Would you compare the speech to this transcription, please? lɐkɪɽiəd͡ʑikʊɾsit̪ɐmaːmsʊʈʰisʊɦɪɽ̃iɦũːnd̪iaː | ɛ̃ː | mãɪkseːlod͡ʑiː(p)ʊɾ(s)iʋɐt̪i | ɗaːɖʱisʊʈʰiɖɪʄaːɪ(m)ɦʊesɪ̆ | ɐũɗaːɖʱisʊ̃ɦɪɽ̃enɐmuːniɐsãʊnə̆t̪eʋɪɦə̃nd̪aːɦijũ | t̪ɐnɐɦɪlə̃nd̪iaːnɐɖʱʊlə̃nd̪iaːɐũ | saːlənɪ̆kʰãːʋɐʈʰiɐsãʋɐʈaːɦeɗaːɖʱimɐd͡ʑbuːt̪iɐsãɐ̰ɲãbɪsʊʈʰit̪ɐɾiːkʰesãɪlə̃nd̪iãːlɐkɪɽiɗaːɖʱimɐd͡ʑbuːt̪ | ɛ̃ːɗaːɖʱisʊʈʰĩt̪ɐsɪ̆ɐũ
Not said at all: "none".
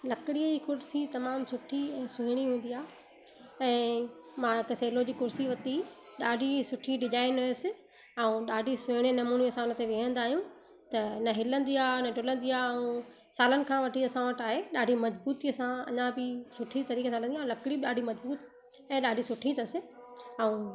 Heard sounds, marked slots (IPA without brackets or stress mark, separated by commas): k, s, n